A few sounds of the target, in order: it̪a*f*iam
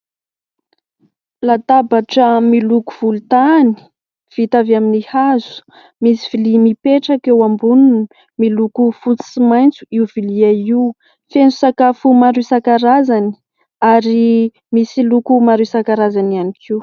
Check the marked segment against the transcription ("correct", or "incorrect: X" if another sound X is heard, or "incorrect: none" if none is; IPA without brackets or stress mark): incorrect: v